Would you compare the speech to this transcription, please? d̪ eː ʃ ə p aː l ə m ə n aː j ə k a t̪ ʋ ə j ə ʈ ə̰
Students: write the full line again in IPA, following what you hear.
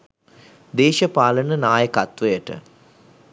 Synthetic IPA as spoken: d̪ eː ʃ ə p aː l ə n ə n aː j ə k a t̪ ʋ ə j ə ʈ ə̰

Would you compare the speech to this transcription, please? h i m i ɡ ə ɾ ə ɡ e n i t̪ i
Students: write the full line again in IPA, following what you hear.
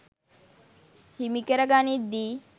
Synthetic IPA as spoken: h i m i k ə ɾ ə ɡ a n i d̪ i

